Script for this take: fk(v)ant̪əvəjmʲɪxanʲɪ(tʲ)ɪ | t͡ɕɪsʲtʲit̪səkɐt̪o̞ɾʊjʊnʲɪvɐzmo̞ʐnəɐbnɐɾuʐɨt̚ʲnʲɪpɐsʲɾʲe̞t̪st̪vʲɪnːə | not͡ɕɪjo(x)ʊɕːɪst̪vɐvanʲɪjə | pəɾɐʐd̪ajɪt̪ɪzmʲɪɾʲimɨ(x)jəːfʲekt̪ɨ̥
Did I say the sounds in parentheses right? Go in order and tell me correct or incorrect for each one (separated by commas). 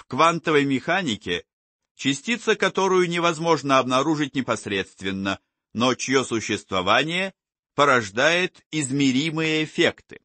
correct, incorrect, incorrect, incorrect